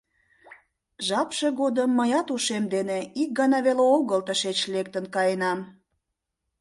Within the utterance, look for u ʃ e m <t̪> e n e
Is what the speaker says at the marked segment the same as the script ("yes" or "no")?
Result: no